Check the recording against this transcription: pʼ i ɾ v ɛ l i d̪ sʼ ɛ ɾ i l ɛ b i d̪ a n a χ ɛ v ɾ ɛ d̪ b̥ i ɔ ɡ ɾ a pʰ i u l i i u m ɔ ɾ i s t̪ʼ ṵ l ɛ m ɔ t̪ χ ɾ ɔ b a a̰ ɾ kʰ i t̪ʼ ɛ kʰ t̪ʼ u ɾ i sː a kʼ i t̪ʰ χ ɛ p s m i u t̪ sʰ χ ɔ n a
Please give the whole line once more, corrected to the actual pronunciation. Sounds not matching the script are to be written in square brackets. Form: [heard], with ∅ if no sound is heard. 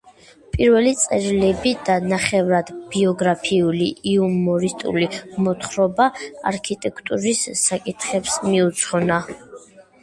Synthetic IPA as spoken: pʼ i ɾ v ɛ l i [t̪] sʼ ɛ ɾ i l ɛ b i d̪ a n a χ ɛ v ɾ [a] d̪ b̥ i ɔ ɡ ɾ a pʰ i u l i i u m ɔ ɾ i s t̪ʼ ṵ l [i] m ɔ t̪ χ ɾ ɔ b a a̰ ɾ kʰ i t̪ʼ ɛ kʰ t̪ʼ u ɾ i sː a kʼ i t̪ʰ χ ɛ p s m i u t̪ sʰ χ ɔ n a